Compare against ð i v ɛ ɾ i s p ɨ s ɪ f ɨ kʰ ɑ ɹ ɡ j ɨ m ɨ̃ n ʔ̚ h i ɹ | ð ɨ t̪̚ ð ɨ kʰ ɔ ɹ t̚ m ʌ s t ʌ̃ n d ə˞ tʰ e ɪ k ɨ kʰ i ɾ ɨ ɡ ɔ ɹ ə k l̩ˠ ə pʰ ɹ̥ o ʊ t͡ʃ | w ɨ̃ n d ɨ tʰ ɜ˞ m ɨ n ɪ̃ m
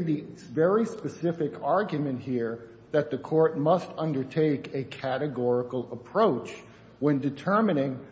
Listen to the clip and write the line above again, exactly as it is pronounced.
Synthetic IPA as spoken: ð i v ɛ ɹ i s p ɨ s ɪ f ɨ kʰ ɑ ɹ ɡ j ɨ m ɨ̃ n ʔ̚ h i ɹ | ð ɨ t̪̚ ð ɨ kʰ ɔ ɹ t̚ m ʌ s t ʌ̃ n d ə˞ tʰ e ɪ k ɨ kʰ æ ɾ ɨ ɡ ɔ ɹ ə k l̩ˠ ə pʰ ɹ̥ o ʊ t͡ʃ | w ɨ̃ n d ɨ tʰ ɜ˞ m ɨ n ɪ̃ ŋ

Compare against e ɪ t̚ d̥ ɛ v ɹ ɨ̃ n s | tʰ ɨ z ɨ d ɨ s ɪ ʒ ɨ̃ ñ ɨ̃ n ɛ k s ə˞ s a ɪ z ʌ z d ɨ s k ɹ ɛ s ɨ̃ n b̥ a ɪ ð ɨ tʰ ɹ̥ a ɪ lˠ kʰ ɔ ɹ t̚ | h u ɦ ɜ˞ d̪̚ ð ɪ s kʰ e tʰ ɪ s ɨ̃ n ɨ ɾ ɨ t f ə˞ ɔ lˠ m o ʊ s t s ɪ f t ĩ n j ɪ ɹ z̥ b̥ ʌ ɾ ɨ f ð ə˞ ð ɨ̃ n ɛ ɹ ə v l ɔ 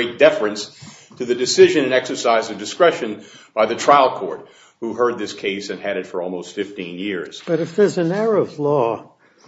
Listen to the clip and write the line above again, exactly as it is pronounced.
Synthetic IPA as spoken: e ɪ t̚ d̥ ɛ f ɹ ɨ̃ n s | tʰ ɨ ð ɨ d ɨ s ɪ ʒ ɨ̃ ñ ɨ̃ n ɛ k s ə˞ s a ɪ z ʌ v d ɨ s k ɹ ɛ ʃ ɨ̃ n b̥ a ɪ ð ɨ tʰ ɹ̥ a ɪ lˠ kʰ ɔ ɹ t̚ | h u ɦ ɜ˞ d̪̚ ð ɪ s kʰ e ɪ s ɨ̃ n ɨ ɾ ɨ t f ə˞ ɔ lˠ m o ʊ s t f ɪ f t ĩ n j ɪ ɹ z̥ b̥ ʌ ɾ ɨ f ð ə˞ z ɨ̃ n ɛ ɹ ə v l ɔ

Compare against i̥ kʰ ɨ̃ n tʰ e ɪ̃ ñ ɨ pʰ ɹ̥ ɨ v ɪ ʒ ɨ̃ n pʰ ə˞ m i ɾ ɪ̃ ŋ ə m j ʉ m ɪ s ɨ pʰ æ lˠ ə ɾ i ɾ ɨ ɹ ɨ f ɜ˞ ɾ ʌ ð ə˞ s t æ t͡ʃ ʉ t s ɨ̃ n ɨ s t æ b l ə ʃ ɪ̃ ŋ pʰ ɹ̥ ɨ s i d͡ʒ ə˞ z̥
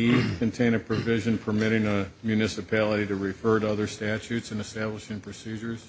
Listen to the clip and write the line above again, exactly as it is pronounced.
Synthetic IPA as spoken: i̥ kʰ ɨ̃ n tʰ ẽ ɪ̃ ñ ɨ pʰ ɹ̥ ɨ v ɪ ʒ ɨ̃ n pʰ ə˞ m ɪ ɾ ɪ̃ ŋ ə m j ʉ n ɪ s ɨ pʰ æ lˠ ə ɾ i ɾ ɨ ɹ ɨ f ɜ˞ ɾ ʌ ð ə˞ s t æ t͡ʃ ʉ t s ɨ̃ n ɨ s t æ b l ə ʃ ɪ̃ ŋ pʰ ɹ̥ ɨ s i d͡ʒ ə˞ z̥

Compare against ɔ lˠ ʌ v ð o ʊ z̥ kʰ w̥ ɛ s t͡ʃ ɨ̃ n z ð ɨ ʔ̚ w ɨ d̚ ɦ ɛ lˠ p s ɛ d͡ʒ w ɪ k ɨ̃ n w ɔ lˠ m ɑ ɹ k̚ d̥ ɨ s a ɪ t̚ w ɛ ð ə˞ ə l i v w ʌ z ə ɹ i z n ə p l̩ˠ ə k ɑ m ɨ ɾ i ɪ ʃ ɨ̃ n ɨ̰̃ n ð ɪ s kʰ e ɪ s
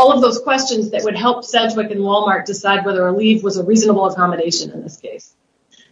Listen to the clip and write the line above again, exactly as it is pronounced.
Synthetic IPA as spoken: ɔ lˠ ʌ v ð o ʊ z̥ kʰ w̥ ɛ s t͡ʃ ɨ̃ n z ð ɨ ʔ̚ w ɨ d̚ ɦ ɛ lˠ p s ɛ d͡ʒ w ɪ k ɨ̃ n w ɔ lˠ m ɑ ɹ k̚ d̥ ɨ s a ɪ d̚ w ɛ ð ə˞ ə l i v w ʌ z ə ɹ i z n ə b l̩ˠ ə k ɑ m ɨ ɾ e ɪ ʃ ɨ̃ n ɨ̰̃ n ð ɪ s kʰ e ɪ s

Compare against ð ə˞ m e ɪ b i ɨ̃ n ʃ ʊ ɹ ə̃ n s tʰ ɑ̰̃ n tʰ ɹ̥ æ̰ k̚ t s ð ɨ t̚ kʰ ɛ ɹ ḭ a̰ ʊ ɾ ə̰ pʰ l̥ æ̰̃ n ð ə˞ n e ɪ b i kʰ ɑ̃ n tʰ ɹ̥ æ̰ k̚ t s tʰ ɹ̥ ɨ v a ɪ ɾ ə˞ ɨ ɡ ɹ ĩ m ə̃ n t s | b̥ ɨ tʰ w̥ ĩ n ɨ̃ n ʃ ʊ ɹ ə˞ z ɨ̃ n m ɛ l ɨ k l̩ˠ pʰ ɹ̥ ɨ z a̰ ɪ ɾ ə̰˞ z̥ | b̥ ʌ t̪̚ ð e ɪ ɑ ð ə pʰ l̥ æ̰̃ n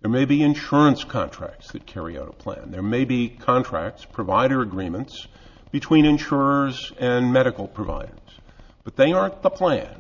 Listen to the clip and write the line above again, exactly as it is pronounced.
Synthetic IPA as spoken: ð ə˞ m e ɪ b i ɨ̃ n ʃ ʊ ɹ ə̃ n s kʰ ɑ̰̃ n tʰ ɹ̥ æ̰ k̚ t s ð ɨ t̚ kʰ ɛ ɹ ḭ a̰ ʊ ɾ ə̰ pʰ l̥ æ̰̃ n ð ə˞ m e ɪ b i kʰ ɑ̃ n tʰ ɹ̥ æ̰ k̚ t s pʰ ɹ̥ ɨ v a ɪ ɾ ə˞ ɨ ɡ ɹ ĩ m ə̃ n t s | b̥ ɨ tʰ w̥ ĩ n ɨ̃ n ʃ ʊ ɹ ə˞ z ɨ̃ n m ɛ ɾ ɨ k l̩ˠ pʰ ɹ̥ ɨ v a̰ ɪ ɾ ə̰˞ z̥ | b̥ ʌ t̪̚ ð e ɪ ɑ ð ə pʰ l̥ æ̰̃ n

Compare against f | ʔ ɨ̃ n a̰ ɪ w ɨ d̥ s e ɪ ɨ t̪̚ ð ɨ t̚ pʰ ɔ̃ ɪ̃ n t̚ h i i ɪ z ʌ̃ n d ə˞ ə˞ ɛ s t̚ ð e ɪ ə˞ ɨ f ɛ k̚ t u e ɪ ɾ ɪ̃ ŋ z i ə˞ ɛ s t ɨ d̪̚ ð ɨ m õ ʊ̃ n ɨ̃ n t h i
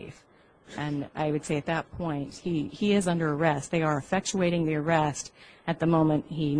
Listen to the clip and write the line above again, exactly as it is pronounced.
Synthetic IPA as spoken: f | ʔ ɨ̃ n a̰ ɪ w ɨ d̥ s e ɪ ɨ t̪̚ ð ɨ t̚ pʰ ɔ̃ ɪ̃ n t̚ h i i ɪ z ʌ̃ n d ə˞ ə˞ ɛ s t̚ ð e ɪ ə˞ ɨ f ɛ k̚ t͡ʃ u e ɪ ɾ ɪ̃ ŋ ð i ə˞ ɛ s t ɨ t̪̚ ð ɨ m õ ʊ̃ m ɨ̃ n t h i

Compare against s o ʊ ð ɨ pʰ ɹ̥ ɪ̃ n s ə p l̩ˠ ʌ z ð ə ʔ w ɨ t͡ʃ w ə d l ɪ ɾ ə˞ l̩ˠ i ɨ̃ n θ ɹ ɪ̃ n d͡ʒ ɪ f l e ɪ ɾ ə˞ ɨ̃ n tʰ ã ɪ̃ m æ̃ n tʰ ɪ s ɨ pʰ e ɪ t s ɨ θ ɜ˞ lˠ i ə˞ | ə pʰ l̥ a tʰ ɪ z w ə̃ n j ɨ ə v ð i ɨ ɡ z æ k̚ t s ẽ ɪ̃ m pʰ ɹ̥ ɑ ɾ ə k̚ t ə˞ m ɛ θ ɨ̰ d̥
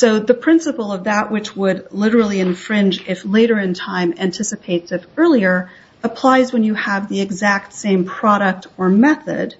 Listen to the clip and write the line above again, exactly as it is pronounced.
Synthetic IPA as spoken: s o ʊ ð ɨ pʰ ɹ̥ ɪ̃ n s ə p l̩ˠ ʌ v ð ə ʔ w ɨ t͡ʃ w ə d l ɪ ɾ ə˞ l̩ˠ i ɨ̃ n f ɹ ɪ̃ n d͡ʒ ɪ f l e ɪ ɾ ə˞ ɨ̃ n tʰ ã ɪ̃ m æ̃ n tʰ ɪ s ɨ pʰ e ɪ t s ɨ f ɜ˞ lˠ i ə˞ | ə pʰ l̥ a ɪ z w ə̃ n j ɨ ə v ð i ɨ ɡ z æ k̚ t s ẽ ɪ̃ m pʰ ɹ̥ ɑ ɾ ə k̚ t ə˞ m ɛ θ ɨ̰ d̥

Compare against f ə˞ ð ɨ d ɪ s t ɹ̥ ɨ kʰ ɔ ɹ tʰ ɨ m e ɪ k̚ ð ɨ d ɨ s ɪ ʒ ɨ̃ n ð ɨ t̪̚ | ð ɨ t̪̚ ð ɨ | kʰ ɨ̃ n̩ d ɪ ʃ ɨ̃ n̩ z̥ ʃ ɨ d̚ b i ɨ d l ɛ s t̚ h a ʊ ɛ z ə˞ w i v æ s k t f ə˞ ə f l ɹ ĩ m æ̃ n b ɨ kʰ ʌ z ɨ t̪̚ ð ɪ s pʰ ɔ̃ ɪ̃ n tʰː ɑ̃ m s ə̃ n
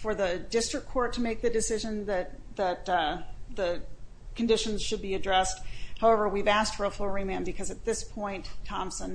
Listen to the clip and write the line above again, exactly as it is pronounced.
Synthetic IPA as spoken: f ə˞ ð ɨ d ɪ s t ɹ̥ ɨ kʰ ɔ ɹ tʰ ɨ m e ɪ k̚ ð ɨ d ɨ s ɪ ʒ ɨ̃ n ð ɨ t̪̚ | ð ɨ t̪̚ ð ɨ | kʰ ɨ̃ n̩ d ɪ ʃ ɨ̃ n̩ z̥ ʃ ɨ d̚ b i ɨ d ɹ ɛ s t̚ h a ʊ ɛ v ə˞ w i v æ s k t f ə˞ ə f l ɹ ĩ m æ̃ n b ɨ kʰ ʌ z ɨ t̪̚ ð ɪ s pʰ ɔ̃ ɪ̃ n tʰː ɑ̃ m s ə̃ n

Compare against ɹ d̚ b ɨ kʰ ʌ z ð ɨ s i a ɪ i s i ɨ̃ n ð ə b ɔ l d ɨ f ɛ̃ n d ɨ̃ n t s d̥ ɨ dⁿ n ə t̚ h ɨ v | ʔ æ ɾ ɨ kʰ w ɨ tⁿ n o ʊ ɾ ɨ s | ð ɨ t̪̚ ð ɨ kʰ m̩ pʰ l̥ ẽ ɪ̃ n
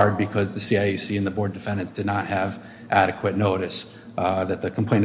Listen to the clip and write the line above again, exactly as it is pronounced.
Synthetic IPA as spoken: ɹ d̚ b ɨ kʰ ʌ z ð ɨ s i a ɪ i s i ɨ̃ n ð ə b ɔ ɹ d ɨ f ɛ̃ n d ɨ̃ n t s d̥ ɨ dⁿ n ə t̚ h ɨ v | ʔ æ ɾ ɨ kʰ w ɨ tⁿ n o ʊ ɾ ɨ s | ð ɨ t̪̚ ð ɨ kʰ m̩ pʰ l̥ ẽ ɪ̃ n

